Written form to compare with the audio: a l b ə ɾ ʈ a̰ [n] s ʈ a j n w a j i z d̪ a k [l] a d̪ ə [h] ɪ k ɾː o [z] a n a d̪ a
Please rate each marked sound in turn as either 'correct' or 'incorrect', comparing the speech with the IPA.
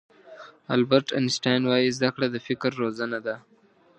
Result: correct, incorrect, incorrect, correct

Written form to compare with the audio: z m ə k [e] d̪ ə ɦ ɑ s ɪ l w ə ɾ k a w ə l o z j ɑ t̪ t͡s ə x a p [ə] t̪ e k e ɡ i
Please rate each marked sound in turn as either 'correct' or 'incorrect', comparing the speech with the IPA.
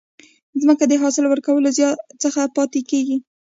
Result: incorrect, incorrect

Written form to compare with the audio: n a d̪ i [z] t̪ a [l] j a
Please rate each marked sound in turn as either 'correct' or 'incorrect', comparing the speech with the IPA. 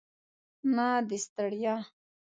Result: incorrect, incorrect

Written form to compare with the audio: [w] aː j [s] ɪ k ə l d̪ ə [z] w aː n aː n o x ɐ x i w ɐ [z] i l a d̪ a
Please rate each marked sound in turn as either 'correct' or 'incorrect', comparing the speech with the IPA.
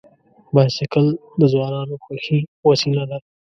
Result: incorrect, correct, correct, incorrect

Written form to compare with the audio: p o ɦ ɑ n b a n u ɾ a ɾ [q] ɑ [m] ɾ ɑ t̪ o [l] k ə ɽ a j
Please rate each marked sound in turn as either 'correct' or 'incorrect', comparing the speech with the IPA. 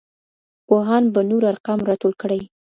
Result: correct, correct, correct

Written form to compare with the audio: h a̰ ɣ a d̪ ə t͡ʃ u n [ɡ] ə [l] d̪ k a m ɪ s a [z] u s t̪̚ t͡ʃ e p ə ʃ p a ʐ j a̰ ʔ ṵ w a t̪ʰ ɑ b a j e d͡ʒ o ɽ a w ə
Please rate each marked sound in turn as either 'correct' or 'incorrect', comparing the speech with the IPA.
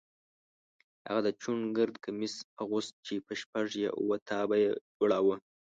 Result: correct, incorrect, incorrect

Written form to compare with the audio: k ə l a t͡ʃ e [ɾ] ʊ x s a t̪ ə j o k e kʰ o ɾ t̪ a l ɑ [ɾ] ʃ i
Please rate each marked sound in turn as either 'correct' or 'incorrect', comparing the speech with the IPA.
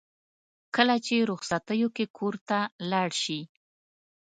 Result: correct, incorrect

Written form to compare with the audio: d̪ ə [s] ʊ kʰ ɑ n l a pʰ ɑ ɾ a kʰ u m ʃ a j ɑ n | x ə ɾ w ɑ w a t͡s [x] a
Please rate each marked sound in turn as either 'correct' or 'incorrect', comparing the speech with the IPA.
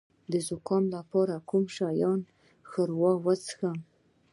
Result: incorrect, correct

